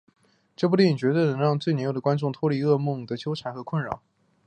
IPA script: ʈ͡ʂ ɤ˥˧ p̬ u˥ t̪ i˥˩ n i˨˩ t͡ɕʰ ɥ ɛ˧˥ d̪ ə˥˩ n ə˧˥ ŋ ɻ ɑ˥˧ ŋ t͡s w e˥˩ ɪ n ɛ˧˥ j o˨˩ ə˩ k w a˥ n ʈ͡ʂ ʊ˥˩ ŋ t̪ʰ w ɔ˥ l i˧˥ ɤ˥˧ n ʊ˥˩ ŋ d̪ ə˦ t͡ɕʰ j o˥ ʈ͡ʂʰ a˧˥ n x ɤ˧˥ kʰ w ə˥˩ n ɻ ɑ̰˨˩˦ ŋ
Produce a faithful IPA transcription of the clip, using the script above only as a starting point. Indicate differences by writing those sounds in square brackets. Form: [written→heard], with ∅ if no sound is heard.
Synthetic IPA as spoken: ʈ͡ʂ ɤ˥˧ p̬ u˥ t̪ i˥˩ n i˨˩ [t͡ɕʰ→t͡ɕ] ɥ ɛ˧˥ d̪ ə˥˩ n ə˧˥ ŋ ɻ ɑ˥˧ ŋ t͡s w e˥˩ ɪ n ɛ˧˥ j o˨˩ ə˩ k w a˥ n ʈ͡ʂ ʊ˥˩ ŋ t̪ʰ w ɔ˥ l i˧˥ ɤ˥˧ [n→m] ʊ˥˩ ŋ d̪ [ə˦→ə˩] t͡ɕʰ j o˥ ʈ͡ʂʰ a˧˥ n x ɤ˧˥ kʰ w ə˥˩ n ɻ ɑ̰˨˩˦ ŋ